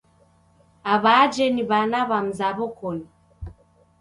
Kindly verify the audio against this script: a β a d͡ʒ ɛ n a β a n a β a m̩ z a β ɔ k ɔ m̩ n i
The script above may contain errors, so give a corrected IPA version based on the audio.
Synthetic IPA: a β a d͡ʒ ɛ n i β a n a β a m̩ z a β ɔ k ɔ n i